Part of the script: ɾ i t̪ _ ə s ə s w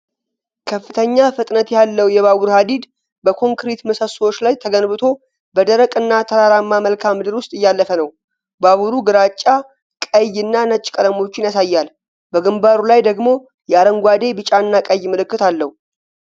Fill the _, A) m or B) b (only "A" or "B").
A